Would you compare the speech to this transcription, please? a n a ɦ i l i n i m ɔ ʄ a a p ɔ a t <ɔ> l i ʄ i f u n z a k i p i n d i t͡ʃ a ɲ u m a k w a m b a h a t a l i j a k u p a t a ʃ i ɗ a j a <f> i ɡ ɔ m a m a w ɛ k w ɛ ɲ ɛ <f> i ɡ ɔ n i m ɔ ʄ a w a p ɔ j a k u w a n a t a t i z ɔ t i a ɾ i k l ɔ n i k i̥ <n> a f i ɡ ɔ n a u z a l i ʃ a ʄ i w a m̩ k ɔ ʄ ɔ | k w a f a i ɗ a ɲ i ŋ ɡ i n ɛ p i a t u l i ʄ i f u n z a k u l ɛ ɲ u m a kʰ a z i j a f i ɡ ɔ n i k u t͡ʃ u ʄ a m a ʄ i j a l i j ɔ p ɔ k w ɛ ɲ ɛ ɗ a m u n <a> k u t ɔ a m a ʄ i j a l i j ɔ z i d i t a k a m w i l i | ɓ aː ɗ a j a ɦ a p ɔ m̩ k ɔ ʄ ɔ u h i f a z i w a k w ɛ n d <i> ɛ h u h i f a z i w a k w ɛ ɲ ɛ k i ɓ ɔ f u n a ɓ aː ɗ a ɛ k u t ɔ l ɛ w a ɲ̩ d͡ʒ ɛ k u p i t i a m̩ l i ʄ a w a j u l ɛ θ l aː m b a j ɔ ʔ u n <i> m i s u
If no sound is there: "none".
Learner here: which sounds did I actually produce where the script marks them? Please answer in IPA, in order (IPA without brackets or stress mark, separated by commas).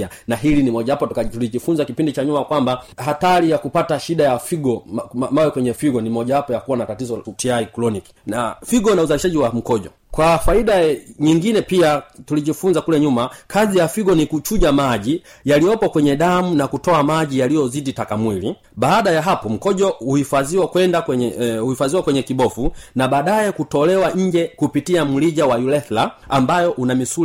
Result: u, f, f, n, a, a, a